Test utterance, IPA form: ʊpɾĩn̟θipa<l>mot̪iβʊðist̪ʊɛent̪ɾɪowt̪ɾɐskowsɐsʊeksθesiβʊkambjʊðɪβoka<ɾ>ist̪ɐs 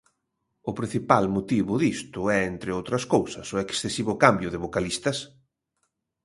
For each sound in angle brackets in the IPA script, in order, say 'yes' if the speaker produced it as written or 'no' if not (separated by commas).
yes, no